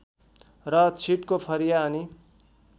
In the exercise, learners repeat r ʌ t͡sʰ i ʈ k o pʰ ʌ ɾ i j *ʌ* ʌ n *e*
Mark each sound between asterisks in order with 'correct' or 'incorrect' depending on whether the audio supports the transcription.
incorrect: a, incorrect: i

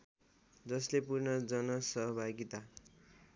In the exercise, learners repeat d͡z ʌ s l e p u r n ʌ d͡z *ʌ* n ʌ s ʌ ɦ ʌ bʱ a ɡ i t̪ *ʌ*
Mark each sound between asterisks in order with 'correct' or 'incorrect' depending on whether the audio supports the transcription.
correct, incorrect: a

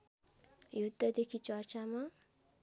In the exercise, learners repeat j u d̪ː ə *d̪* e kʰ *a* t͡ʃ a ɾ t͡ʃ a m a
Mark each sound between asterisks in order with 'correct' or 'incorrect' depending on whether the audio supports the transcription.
correct, incorrect: i

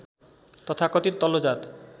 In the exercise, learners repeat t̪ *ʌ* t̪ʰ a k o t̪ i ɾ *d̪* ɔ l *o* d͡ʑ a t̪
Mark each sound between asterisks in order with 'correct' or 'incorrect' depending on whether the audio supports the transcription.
incorrect: ɔ, incorrect: t̪, correct

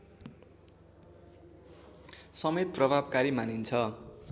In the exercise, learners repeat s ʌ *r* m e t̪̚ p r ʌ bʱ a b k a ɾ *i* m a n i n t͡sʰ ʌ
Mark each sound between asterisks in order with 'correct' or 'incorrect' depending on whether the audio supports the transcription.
incorrect: none, correct

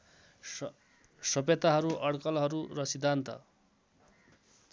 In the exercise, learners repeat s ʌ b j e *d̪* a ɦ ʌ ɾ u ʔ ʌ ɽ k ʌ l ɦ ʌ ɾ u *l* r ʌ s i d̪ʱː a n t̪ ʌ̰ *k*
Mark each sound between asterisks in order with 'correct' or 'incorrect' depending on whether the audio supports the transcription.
incorrect: t̪, incorrect: none, incorrect: none

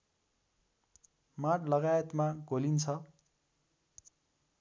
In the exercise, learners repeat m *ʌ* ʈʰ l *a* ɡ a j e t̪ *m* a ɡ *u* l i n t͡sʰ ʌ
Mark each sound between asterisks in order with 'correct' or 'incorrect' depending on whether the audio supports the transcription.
incorrect: a, incorrect: ʌ, correct, incorrect: o

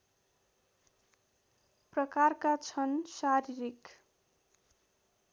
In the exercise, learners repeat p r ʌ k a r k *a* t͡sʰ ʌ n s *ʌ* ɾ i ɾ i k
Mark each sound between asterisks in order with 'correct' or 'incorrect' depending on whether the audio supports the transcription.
correct, incorrect: a

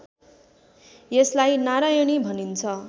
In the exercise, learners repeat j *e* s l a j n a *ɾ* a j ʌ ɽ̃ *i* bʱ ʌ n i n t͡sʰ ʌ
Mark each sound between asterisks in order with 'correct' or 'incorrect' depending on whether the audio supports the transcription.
correct, correct, correct

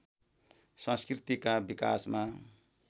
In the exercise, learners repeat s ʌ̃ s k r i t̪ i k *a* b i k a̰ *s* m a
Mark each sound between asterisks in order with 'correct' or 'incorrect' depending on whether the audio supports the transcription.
correct, correct

